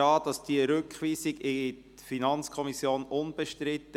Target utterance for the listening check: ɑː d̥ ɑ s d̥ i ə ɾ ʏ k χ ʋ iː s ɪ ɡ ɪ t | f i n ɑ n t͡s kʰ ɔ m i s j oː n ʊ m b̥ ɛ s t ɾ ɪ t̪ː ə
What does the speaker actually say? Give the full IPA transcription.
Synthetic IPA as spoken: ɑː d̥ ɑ s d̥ i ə ɾ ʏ k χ ʋ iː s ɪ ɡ ɪ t | f i n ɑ n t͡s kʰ ɔ m i s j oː n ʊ n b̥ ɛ ʃ t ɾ ɪ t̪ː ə